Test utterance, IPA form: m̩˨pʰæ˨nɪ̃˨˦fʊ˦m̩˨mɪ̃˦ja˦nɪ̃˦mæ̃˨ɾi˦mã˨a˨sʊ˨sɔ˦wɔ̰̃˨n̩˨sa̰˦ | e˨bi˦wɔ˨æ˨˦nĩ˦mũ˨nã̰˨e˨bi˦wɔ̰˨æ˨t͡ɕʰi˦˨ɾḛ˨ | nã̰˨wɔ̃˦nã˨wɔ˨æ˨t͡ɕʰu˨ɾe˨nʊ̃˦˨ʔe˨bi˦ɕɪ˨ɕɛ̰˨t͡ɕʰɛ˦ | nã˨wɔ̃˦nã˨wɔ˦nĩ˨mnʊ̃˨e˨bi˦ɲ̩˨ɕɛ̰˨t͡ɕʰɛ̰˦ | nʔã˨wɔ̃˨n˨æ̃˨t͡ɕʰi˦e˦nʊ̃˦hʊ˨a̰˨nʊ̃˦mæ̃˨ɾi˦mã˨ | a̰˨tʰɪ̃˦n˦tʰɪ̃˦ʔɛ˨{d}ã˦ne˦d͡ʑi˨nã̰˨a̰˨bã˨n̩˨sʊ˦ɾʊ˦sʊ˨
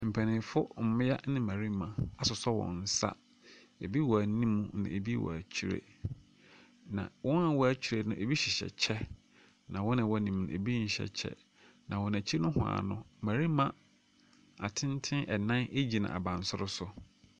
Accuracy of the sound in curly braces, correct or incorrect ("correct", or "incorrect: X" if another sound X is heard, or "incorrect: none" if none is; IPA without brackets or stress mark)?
incorrect: n